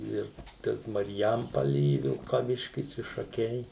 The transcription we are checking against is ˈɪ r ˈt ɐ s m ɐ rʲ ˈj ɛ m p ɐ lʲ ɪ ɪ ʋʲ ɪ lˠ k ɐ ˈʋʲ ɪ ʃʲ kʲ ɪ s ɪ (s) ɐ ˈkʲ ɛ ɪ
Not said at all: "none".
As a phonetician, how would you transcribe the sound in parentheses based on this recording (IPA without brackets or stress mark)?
ʃ